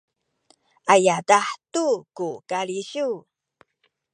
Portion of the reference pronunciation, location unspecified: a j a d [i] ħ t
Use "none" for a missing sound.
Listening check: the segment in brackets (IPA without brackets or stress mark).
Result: a